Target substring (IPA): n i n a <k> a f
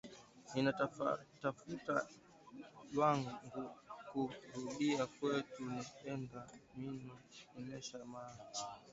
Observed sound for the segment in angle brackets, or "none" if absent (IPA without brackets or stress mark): t